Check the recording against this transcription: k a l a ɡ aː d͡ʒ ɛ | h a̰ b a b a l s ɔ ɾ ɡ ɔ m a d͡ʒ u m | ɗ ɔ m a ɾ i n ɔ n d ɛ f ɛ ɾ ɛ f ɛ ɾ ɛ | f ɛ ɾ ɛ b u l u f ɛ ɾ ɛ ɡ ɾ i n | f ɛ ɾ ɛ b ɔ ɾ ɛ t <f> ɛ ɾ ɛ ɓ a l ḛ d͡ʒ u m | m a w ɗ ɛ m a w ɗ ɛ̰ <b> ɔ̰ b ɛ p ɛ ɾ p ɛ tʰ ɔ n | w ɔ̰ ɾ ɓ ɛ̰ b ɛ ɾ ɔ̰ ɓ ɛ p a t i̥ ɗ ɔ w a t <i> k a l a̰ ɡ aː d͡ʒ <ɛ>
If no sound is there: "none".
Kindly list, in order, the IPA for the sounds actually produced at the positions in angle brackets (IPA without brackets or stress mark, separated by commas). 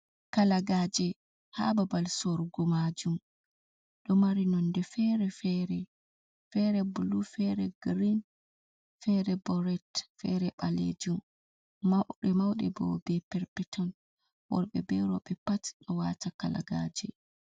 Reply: f, b, a, ɛ